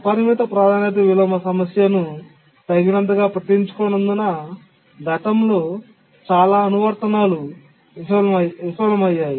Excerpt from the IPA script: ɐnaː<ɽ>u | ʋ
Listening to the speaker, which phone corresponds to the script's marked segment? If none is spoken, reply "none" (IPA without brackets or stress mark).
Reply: l